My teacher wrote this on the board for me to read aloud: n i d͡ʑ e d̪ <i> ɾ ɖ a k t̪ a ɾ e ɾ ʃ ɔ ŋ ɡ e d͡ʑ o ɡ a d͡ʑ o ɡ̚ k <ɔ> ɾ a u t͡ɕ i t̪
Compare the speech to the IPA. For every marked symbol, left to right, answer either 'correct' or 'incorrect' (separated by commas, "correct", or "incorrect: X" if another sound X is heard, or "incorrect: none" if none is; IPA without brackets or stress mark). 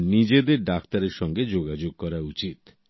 incorrect: e, correct